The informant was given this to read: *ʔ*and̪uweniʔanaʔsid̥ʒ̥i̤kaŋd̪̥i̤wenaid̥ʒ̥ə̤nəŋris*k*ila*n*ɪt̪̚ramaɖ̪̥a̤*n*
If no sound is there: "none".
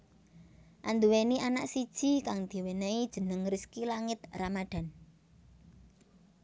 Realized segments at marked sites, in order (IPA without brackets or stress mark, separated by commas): ʔ, k, ŋ, n